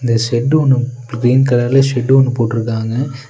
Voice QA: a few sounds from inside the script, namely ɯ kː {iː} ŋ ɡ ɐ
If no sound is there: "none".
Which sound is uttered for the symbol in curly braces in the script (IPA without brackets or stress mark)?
aː